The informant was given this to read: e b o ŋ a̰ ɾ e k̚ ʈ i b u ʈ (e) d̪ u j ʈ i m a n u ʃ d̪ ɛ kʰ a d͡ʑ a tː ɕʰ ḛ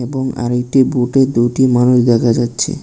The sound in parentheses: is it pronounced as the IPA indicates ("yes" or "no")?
yes